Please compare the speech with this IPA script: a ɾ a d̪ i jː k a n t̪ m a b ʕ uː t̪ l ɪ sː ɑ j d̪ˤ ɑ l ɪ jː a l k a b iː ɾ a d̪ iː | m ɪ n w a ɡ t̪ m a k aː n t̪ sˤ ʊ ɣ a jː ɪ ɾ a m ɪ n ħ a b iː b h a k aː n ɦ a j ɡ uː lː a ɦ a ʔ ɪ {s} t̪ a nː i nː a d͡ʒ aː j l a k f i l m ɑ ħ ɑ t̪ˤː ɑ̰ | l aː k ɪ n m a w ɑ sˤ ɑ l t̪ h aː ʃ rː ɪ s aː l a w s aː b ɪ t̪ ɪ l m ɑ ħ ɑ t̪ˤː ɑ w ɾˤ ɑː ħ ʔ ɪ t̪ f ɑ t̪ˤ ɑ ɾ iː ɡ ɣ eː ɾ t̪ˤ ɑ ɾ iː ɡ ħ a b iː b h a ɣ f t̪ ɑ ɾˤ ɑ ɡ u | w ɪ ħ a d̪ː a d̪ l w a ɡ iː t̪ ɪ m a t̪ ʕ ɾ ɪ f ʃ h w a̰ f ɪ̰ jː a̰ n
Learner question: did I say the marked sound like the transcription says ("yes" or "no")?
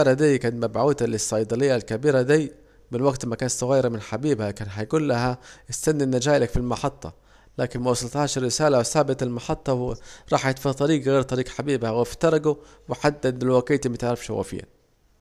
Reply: yes